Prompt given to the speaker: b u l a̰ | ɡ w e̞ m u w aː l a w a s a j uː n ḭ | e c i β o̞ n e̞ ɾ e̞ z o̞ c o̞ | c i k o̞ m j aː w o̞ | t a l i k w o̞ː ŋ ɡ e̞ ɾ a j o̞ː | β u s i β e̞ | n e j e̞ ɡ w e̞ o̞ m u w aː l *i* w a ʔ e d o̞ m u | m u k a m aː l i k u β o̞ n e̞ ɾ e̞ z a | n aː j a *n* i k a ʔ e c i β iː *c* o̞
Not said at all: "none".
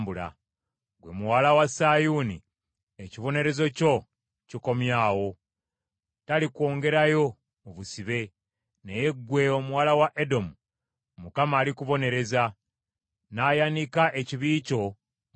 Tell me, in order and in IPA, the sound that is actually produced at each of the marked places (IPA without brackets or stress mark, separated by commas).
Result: a, n, c